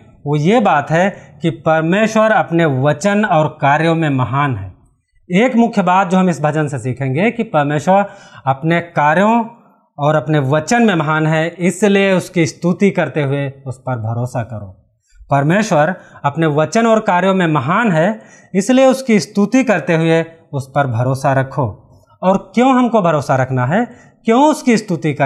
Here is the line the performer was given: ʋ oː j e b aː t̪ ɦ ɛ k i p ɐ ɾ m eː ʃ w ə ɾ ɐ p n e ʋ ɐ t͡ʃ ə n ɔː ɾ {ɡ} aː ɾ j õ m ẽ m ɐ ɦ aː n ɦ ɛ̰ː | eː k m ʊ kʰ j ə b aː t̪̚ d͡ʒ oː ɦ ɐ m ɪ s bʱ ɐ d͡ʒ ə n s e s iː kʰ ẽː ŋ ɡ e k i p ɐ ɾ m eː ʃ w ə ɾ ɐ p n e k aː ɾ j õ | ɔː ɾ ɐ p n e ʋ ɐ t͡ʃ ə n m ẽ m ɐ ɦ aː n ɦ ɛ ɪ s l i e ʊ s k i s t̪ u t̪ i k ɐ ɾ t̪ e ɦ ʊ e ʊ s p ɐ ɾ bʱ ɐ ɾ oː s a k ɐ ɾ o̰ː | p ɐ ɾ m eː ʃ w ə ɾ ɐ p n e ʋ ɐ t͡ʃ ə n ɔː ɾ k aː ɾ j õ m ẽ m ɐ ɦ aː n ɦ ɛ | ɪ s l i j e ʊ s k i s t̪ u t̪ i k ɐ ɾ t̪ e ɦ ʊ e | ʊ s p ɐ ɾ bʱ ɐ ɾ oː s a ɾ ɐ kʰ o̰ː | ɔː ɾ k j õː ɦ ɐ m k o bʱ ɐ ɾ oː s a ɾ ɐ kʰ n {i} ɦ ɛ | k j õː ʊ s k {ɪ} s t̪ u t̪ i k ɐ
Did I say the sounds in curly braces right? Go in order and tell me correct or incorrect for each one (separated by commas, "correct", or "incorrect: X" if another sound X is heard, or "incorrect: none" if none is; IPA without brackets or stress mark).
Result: incorrect: k, incorrect: a, incorrect: i